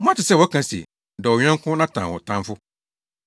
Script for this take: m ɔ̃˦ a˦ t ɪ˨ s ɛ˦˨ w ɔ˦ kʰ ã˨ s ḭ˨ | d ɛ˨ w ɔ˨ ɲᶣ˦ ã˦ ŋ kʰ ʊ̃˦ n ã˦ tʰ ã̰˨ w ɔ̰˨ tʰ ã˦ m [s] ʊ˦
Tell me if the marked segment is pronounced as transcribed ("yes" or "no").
no